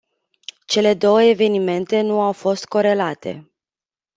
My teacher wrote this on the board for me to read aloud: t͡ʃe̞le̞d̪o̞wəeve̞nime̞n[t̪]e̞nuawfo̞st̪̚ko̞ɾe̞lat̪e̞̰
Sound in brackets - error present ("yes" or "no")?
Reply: no